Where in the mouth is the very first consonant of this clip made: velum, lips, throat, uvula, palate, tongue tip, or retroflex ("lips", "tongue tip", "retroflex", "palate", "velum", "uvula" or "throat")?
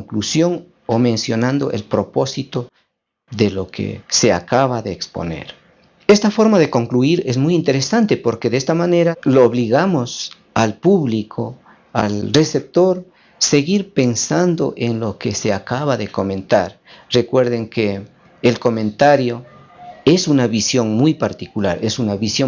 velum